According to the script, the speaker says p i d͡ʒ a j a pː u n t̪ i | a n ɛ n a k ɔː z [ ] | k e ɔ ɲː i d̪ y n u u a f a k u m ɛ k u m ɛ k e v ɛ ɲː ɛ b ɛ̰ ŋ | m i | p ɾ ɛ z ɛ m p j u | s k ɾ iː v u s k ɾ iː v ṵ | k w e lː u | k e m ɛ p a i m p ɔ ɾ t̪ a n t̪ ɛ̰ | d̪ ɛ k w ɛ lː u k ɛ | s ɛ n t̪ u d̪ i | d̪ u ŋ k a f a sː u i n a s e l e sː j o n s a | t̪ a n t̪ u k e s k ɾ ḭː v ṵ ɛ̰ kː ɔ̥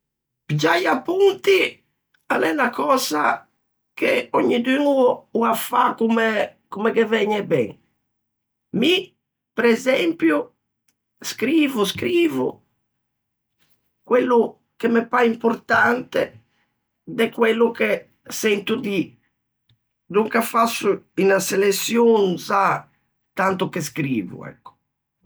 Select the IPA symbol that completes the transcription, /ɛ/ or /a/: a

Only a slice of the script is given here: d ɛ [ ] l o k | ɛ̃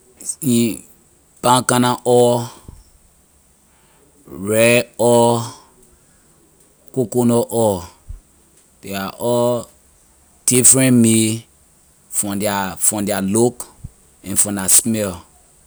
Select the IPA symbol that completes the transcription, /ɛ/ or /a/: a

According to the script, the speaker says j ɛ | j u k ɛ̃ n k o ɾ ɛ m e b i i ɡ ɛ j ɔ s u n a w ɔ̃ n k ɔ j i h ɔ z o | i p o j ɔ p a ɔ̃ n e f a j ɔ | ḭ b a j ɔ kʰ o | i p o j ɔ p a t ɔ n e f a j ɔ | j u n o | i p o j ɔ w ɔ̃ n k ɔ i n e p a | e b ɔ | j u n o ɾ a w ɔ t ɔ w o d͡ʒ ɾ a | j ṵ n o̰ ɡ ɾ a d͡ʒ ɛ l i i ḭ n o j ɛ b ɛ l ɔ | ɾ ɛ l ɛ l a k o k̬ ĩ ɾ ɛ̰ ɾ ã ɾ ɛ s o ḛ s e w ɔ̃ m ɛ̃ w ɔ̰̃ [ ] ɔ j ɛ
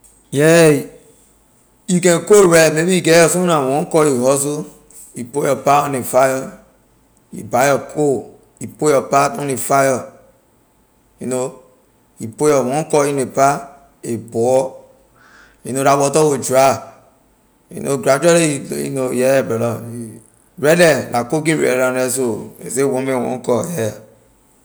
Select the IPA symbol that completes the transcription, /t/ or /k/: k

